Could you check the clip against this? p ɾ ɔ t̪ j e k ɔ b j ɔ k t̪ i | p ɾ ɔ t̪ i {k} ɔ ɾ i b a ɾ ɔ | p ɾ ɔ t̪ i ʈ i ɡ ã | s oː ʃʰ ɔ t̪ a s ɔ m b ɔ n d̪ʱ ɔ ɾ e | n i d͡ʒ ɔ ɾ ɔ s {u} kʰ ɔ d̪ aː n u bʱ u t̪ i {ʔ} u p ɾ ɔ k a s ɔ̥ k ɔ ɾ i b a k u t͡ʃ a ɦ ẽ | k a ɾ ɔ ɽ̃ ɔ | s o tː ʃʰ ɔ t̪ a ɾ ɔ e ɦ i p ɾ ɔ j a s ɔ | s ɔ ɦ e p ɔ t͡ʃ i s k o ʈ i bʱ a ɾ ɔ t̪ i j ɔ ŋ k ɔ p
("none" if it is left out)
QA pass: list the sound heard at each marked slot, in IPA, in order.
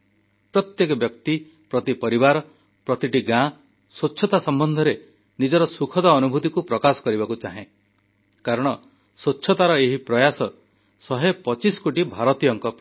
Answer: p, u, k

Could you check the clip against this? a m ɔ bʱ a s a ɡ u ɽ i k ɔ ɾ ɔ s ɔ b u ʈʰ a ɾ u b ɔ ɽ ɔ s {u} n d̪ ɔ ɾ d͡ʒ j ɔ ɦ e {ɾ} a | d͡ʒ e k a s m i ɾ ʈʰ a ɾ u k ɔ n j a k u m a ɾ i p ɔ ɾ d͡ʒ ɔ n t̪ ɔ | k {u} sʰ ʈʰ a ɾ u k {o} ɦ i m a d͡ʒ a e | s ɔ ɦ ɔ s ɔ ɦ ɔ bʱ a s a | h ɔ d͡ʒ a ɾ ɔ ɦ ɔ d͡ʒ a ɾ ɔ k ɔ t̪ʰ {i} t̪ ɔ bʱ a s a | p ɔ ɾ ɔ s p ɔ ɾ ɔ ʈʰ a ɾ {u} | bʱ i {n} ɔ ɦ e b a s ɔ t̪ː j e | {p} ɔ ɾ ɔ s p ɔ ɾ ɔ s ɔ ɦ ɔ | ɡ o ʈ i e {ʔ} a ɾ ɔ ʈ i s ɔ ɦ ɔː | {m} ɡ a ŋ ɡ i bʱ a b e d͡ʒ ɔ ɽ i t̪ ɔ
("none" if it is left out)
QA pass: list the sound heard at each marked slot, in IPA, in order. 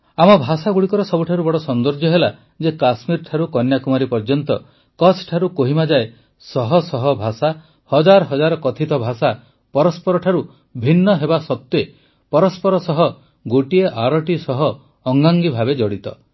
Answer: ɔ, l, ɔ, o, i, u, nː, p, ʔ, ŋ

